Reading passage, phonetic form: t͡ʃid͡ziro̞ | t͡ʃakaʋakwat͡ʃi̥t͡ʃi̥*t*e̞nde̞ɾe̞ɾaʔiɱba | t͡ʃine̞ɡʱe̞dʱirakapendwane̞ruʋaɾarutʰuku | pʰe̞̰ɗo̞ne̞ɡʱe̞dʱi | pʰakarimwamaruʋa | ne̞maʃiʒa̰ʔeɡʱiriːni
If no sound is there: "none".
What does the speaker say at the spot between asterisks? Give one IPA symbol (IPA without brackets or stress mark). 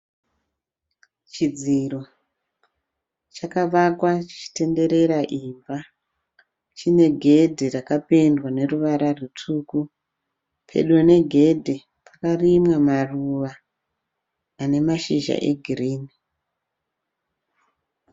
t